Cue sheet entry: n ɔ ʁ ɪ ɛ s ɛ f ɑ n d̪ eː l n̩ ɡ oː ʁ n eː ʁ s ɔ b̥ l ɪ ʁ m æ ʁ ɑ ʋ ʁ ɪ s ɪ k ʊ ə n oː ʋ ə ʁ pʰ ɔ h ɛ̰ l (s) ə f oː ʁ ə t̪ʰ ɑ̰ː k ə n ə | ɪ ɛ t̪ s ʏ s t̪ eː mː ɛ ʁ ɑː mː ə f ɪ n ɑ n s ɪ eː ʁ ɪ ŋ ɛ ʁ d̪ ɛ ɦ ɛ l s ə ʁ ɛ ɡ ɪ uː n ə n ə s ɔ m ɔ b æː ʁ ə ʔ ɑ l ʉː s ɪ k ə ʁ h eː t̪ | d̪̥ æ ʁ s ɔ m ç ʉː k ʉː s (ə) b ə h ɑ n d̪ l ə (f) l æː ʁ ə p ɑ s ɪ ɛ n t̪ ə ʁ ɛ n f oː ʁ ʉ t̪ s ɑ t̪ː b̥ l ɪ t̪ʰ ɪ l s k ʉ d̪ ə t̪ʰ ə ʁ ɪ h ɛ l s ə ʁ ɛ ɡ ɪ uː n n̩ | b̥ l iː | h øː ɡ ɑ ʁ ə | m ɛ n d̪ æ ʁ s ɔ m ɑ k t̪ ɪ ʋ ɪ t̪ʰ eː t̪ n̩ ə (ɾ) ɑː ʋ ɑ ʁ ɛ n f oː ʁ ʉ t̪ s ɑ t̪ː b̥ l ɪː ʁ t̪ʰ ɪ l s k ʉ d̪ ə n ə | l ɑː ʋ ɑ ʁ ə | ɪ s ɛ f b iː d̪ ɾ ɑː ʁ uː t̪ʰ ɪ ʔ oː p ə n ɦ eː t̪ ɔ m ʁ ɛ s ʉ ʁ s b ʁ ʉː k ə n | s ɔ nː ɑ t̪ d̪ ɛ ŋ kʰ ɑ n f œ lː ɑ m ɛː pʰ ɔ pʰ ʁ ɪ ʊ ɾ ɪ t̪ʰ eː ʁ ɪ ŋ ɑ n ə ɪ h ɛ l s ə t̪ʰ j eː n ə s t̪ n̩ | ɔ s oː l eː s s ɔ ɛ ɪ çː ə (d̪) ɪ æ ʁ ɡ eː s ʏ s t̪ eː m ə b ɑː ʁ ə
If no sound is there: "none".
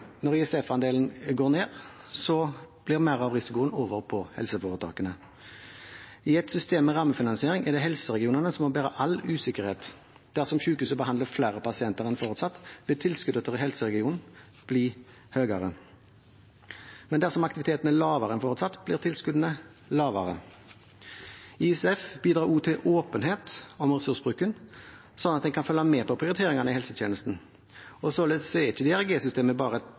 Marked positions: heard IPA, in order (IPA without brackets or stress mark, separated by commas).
s, ə, f, l, d̪